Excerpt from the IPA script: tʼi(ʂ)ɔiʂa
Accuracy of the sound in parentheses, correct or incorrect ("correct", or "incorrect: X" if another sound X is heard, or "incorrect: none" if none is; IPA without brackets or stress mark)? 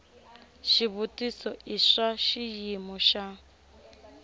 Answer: incorrect: s